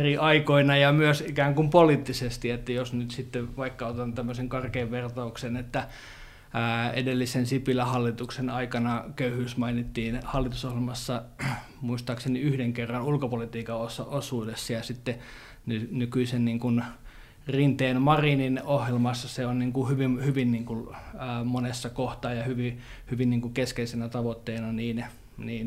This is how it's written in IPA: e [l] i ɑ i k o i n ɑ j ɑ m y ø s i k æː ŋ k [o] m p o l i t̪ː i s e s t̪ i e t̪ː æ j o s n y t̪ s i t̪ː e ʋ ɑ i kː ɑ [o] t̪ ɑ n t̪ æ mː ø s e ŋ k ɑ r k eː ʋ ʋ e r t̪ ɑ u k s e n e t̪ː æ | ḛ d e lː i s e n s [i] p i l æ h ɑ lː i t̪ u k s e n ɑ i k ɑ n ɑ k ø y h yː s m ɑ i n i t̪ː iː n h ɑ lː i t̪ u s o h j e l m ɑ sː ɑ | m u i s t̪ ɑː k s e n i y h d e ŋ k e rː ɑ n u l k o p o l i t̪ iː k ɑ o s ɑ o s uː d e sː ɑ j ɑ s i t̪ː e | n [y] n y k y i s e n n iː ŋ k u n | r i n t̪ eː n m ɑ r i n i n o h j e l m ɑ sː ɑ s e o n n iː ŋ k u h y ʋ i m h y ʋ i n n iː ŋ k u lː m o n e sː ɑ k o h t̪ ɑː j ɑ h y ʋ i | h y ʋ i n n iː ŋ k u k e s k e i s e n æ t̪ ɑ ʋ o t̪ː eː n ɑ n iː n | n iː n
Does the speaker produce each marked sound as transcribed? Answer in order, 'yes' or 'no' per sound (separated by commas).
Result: no, no, yes, yes, yes